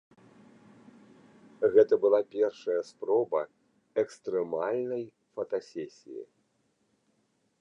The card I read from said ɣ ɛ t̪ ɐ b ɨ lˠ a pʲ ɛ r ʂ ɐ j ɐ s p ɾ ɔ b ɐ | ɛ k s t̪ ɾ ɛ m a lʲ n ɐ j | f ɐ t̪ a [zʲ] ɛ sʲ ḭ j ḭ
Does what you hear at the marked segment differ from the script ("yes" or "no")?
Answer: yes